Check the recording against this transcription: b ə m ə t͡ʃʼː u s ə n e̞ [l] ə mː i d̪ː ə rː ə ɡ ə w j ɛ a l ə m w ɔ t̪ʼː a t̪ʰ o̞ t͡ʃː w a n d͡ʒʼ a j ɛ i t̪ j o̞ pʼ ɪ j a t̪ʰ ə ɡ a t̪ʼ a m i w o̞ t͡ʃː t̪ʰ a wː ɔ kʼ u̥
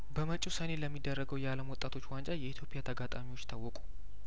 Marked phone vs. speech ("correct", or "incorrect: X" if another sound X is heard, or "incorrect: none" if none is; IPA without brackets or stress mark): correct